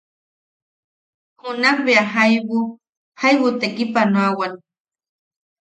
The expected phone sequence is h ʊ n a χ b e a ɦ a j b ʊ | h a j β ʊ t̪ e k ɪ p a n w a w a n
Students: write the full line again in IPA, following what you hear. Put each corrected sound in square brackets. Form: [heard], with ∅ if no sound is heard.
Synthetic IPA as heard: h ʊ n a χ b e a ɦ a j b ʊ | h a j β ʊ t̪ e k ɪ p a n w a w a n